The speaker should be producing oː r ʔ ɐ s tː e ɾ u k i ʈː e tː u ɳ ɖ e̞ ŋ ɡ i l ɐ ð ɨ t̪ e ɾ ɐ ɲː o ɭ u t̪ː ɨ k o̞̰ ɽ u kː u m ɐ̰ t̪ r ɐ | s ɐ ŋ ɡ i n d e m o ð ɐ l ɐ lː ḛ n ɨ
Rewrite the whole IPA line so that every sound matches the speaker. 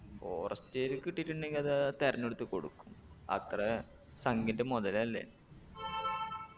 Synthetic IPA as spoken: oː r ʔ ɐ s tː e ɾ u k i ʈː i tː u ɳ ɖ e̞ ŋ ɡ i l ɐ ð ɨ t̪ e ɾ ɐ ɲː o ɽ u t̪ː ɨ k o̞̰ ɽ u kː u m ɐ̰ t̪ r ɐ | s ɐ ŋ ɡ i n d e m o ð ɐ l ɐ lː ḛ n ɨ